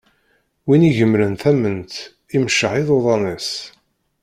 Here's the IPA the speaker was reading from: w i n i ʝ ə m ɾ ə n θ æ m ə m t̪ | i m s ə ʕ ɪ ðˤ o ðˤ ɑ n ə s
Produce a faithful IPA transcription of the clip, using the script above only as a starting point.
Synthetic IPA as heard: w i n i ʝ ə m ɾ ə n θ æ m ə n t̪ | i m ʃ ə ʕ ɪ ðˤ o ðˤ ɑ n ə s